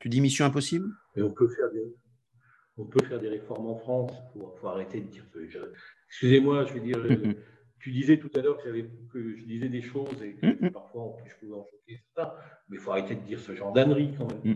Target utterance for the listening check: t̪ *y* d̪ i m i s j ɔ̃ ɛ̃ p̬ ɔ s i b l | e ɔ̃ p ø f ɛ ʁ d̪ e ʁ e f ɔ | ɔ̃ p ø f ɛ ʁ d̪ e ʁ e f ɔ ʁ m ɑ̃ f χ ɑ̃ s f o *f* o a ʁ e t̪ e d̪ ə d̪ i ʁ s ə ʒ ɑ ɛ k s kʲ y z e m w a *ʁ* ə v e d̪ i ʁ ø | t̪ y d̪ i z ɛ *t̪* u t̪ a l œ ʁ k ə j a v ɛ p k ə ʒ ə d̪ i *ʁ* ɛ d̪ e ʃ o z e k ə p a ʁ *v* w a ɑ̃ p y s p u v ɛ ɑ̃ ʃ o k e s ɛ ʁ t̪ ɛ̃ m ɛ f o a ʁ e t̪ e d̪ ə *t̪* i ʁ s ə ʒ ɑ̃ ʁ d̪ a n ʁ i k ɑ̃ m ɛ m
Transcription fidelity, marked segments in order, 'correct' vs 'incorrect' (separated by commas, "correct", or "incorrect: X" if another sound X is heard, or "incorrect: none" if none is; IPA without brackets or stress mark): correct, correct, incorrect: ʒ, correct, incorrect: z, incorrect: f, incorrect: d̪